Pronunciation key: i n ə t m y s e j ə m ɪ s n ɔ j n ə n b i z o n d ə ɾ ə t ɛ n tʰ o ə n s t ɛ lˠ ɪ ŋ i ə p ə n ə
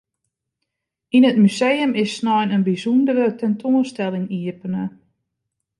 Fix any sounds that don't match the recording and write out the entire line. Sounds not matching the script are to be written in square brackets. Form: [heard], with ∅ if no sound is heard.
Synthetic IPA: i n ə t m y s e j ə m ɪ s n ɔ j n ə n b i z [u] n d ə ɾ ə t ɛ n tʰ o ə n s t ɛ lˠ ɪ ŋ i ə p ə n ə

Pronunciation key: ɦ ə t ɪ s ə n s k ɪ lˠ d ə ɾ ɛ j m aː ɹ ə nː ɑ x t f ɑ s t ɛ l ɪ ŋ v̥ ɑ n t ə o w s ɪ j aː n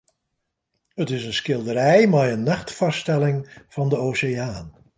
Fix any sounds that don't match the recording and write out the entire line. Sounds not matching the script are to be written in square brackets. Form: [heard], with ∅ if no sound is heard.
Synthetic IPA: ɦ ə t ɪ s ə n s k ɪ lˠ d ə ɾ ɛ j m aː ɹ ə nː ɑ [χ] t f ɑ s t ɛ l ɪ ŋ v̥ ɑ n [d] ə o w s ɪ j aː n

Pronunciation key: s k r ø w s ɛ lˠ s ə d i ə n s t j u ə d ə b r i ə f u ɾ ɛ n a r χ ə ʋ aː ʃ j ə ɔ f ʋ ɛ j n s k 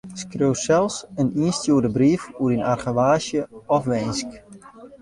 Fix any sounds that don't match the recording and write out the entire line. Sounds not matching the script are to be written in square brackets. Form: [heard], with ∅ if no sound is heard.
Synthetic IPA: s k r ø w s ɛ lˠ s ə [n] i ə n s t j u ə d ə b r i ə f u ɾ [i] n a r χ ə ʋ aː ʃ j ə ɔ f ʋ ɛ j n s k

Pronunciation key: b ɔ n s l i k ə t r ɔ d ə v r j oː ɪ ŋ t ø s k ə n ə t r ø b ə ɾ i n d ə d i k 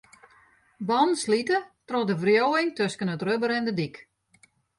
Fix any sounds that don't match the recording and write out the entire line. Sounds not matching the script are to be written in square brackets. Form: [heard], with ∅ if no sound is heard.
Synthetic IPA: b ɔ n s l i [t] ə t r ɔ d ə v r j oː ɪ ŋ t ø s k ə n ə t r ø b ə ɾ [ɛ] n d ə d i k

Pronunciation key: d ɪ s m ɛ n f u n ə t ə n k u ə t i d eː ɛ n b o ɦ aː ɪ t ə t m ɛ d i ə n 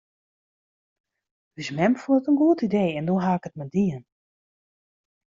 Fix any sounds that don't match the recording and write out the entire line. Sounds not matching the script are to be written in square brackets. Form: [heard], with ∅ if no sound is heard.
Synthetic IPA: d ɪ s m ɛ [m] f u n ə t ə n [ɡ] u ə t i d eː ɛ n [d] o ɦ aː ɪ [k] ə t m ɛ d i ə n

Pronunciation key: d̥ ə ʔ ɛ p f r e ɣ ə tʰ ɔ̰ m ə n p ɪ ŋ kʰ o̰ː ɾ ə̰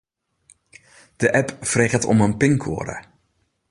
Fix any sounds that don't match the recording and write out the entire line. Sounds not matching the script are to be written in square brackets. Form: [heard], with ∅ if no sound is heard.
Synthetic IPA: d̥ ə ʔ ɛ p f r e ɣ ə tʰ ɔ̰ m ə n p ɪ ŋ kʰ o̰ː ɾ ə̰

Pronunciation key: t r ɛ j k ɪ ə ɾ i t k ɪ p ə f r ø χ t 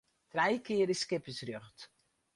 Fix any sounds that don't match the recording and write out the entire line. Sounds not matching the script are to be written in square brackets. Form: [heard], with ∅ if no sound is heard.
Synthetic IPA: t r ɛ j k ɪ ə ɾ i [s] k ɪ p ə [s] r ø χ t

